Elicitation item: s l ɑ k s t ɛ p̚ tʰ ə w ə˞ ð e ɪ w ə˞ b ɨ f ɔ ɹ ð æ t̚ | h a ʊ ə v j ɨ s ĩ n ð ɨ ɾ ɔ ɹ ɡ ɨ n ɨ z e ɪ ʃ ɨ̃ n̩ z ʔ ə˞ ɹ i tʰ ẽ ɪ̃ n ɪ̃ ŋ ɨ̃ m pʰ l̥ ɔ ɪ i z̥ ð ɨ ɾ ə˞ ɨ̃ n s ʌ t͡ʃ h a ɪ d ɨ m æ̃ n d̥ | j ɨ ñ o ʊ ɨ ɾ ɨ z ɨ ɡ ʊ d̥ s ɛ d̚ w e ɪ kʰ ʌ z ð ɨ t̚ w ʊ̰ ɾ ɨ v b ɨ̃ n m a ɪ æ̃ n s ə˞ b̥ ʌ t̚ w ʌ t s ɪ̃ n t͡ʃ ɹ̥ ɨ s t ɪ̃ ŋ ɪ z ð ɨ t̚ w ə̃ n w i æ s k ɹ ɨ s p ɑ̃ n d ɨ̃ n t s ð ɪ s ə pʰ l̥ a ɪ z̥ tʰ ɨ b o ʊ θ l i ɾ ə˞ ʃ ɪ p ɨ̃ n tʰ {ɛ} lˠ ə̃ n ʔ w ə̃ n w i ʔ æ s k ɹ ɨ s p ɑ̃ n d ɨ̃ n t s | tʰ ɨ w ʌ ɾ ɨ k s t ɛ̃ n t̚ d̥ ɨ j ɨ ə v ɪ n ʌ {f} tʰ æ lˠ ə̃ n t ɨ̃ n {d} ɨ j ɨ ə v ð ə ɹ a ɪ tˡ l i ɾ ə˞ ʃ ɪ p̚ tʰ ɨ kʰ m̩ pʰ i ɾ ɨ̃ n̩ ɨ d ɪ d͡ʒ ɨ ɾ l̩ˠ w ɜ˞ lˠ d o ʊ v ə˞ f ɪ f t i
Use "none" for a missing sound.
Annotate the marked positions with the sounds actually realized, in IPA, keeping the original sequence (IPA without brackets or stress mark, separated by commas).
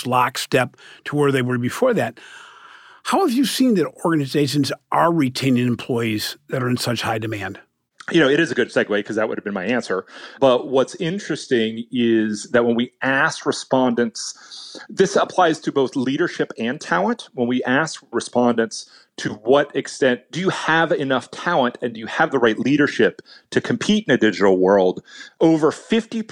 æ, f, d